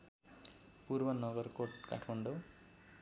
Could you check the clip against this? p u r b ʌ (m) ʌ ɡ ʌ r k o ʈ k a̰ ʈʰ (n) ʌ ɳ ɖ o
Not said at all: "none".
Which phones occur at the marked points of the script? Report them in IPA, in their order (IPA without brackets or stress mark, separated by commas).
n, m